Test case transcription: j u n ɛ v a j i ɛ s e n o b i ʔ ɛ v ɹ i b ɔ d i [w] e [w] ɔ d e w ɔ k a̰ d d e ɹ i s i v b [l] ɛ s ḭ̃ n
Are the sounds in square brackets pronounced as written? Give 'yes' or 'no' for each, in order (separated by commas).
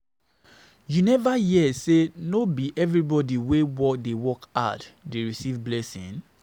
yes, yes, yes